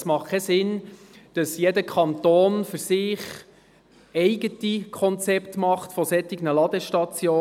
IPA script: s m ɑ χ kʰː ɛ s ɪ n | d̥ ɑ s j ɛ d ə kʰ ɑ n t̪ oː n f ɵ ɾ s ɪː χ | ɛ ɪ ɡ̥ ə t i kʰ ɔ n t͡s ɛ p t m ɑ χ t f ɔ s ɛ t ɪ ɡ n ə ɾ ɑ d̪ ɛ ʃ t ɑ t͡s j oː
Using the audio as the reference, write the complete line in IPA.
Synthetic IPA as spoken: s m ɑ χ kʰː ɛ s ɪ n | d̥ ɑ s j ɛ d ə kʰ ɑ n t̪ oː n f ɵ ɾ s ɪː χ | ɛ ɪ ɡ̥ ə t i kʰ ɔ n t͡s ɛ p t m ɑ χ t f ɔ s ɛ t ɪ ɡ n ə l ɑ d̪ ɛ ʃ t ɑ t͡s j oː